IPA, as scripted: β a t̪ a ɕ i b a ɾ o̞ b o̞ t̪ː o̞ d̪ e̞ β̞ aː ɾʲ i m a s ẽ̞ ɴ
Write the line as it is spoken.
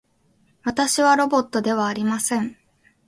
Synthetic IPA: β a t̪ a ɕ i β a ɾ o̞ b o̞ t̪ː o̞ d̪ e̞ β̞ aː ɾʲ i m a s ẽ̞ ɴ